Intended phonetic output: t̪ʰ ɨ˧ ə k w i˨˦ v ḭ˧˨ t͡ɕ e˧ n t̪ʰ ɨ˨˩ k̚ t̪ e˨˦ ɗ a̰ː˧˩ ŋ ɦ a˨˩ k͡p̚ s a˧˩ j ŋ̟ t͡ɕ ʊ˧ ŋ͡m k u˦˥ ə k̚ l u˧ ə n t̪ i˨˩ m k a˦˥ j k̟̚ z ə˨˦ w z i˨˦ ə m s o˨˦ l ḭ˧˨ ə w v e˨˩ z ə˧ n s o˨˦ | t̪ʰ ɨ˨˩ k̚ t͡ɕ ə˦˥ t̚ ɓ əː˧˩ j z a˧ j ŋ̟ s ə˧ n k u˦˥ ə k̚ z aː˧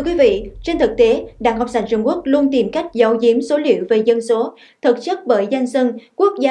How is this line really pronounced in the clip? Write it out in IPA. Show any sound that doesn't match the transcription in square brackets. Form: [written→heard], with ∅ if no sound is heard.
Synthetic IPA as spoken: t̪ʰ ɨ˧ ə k w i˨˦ v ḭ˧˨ t͡ɕ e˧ n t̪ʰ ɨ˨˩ k̚ t̪ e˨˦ ɗ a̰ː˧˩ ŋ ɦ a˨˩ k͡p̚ s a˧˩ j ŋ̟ t͡ɕ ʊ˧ ŋ͡m k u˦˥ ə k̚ l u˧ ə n t̪ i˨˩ m k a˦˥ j k̟̚ z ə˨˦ w z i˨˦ ə m s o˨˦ l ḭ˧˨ ə w v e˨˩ z ə˧ n s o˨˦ | t̪ʰ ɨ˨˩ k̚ t͡ɕ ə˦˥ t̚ ɓ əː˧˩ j z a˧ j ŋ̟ s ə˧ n k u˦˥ ə k̚ z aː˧